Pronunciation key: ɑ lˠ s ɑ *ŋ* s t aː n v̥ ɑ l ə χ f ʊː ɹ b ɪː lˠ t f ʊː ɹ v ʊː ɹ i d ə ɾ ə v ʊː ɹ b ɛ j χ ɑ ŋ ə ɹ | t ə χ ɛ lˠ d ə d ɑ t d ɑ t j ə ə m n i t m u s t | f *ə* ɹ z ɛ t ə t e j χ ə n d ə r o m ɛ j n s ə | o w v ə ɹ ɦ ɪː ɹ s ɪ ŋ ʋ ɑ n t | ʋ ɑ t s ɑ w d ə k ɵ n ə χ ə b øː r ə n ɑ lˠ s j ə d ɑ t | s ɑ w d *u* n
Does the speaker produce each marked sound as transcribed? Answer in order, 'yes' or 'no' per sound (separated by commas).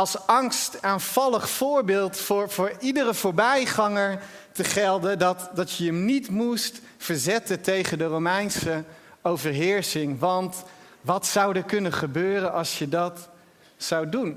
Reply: yes, yes, yes